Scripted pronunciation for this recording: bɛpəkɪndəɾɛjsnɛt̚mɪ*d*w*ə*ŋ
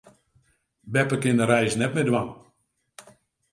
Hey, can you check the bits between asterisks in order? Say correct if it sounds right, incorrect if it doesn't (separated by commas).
correct, incorrect